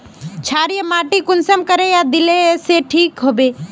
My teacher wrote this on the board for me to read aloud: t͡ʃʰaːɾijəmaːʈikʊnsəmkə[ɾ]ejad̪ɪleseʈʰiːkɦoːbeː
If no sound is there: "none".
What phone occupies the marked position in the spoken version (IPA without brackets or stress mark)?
ɾ